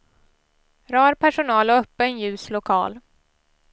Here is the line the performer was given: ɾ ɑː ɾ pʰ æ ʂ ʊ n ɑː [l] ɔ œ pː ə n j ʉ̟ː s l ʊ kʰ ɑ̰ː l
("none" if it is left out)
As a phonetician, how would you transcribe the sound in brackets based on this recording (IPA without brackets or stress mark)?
l